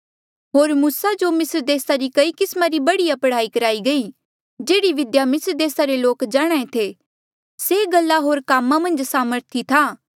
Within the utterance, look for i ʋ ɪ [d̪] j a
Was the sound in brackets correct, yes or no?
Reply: yes